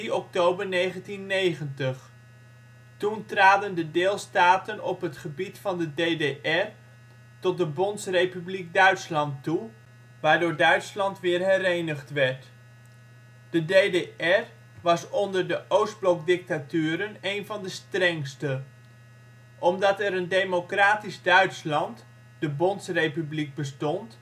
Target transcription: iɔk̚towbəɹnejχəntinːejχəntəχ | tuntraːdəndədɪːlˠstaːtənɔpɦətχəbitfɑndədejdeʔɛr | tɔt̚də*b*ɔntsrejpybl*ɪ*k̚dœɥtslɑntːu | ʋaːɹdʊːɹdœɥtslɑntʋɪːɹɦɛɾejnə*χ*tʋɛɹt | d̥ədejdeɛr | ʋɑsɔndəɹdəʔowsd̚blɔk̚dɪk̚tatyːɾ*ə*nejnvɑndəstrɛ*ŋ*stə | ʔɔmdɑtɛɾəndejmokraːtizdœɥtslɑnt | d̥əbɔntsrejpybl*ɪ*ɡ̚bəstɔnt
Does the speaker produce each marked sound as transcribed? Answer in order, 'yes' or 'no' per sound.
yes, no, yes, yes, yes, no

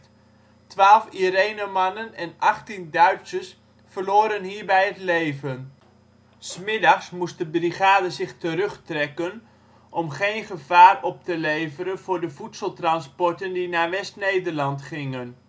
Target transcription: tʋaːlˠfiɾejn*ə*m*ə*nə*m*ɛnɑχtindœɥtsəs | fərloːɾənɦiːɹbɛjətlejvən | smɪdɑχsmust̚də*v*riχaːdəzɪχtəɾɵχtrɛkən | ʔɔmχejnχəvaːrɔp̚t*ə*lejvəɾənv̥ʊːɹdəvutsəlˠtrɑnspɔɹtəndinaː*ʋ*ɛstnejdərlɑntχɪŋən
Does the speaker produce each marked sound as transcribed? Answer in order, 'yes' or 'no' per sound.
yes, no, no, no, yes, yes

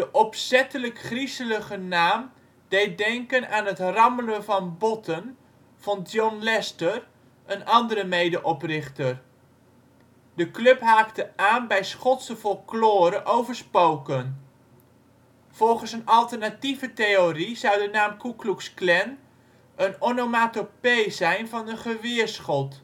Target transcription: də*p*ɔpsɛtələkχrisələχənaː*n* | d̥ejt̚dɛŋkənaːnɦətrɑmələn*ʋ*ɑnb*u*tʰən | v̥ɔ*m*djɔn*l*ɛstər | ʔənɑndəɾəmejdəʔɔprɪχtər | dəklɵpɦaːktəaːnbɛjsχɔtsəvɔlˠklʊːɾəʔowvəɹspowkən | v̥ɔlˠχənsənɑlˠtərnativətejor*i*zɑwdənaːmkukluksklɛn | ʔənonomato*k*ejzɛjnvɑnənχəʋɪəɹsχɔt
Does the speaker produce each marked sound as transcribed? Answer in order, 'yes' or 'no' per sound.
no, no, no, no, no, yes, yes, no

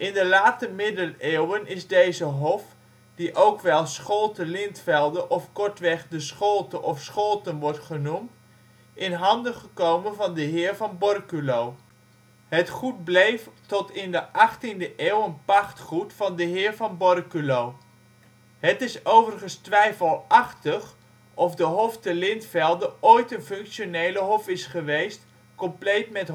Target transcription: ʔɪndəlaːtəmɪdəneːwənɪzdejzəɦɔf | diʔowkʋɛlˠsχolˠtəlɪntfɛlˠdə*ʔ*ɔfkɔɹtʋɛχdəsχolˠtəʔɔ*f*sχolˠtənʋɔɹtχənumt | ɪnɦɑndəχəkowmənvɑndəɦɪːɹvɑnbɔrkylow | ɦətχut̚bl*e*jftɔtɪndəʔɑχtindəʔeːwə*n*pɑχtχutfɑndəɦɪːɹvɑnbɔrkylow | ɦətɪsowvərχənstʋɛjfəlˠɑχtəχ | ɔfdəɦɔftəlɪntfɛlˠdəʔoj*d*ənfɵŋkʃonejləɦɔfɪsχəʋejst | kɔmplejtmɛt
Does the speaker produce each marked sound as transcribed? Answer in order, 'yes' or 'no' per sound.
yes, yes, yes, yes, no

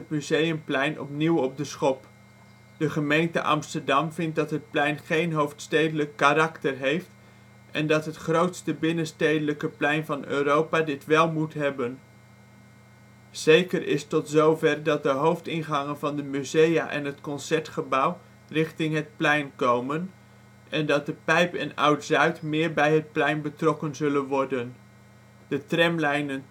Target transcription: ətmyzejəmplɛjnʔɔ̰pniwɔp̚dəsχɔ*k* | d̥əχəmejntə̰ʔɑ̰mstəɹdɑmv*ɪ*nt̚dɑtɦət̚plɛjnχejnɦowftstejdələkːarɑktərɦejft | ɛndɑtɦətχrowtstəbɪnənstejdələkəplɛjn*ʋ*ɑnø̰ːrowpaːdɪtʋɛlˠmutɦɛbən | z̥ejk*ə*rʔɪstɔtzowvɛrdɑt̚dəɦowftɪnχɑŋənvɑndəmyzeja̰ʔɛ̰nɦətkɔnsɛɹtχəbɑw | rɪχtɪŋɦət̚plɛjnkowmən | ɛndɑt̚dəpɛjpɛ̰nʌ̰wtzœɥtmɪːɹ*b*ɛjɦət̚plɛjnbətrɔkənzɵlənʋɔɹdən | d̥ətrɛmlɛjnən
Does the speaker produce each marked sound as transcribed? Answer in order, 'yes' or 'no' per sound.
no, yes, no, yes, yes

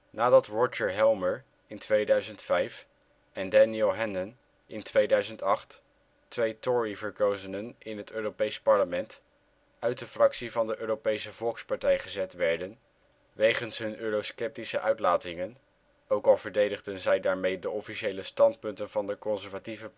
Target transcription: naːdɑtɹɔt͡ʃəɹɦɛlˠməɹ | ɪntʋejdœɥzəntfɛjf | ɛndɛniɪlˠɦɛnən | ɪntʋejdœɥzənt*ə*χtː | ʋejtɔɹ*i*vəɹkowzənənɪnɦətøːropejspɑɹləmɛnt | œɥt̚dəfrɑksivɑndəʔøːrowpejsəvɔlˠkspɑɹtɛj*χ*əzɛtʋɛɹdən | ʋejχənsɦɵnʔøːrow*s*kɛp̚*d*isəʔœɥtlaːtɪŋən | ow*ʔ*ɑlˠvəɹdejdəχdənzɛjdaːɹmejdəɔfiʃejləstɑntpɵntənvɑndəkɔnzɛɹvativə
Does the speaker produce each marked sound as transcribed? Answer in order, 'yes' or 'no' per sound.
no, yes, yes, yes, no, no

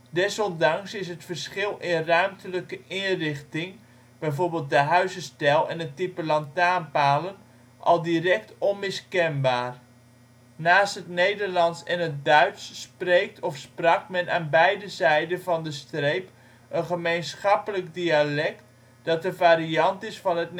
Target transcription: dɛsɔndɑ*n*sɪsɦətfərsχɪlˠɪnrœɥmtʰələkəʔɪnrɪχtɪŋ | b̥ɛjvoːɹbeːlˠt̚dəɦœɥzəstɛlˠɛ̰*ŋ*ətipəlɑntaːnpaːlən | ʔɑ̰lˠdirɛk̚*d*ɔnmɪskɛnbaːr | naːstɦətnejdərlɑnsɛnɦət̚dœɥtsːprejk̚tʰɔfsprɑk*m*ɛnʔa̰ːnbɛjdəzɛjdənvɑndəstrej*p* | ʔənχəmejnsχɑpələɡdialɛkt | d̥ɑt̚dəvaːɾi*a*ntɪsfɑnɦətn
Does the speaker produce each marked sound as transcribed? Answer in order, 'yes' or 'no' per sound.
no, no, no, yes, yes, no

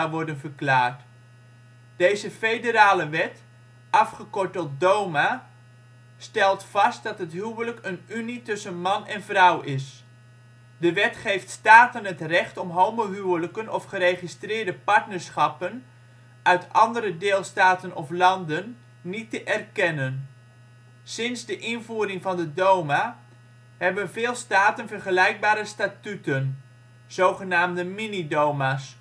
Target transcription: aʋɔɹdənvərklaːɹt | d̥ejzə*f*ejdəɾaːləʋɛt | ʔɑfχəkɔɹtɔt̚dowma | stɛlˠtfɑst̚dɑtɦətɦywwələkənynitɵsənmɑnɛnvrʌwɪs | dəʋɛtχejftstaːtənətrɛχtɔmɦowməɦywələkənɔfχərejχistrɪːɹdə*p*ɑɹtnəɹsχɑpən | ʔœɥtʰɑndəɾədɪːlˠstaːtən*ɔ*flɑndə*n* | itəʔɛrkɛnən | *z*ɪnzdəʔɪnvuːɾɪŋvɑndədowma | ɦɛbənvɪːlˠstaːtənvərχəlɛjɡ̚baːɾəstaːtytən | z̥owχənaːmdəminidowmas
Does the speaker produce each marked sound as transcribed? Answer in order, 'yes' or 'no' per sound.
yes, yes, yes, no, no

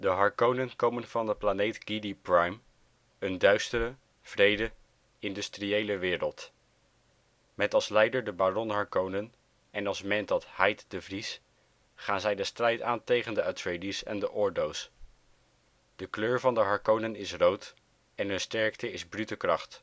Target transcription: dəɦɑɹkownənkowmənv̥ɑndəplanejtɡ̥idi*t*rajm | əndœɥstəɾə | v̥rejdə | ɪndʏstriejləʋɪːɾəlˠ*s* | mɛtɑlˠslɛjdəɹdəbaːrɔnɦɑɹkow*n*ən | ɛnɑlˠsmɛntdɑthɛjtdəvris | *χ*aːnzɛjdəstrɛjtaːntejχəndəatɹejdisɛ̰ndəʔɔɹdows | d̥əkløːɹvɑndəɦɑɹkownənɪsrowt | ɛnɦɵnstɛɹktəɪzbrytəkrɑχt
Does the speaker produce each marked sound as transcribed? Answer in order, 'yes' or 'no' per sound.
no, no, yes, yes

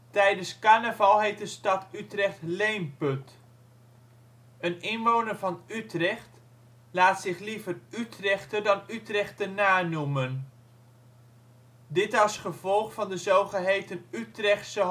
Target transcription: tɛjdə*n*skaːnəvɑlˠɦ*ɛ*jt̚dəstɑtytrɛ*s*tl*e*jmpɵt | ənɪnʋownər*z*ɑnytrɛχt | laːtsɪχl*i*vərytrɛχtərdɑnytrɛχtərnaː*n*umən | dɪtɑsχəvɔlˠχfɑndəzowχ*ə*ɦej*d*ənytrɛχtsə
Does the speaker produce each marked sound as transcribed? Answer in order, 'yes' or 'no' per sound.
yes, no, no, yes, no, yes, yes, yes, no

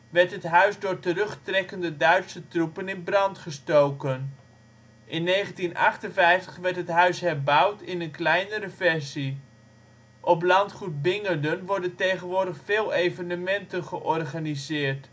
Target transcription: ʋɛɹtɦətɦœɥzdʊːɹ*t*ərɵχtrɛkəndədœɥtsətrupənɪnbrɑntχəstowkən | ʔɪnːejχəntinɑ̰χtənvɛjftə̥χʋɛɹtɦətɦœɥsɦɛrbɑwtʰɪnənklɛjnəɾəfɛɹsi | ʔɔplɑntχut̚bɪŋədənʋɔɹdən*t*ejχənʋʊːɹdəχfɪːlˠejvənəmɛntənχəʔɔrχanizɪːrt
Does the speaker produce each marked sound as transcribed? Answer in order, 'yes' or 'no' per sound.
yes, yes

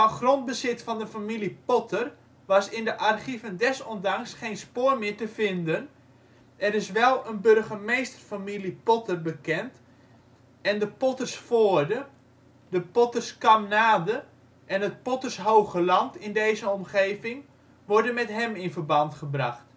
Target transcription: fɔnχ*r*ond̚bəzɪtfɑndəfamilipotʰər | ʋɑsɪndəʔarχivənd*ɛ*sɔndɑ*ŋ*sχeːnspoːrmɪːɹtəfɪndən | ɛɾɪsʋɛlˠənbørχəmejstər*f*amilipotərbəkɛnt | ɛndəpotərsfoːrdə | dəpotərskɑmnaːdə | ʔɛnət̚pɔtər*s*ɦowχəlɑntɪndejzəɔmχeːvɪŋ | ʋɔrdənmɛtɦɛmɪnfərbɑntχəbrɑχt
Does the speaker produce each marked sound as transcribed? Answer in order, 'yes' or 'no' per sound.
yes, yes, yes, yes, yes

